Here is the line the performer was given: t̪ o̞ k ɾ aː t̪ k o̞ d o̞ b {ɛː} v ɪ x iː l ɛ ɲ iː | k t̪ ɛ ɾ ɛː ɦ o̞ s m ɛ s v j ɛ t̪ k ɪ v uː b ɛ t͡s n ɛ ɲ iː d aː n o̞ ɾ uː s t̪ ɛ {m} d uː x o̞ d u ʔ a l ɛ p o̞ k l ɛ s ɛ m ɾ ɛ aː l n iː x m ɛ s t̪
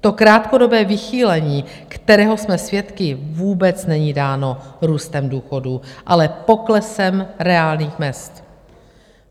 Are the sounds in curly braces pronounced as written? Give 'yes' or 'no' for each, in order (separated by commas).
yes, yes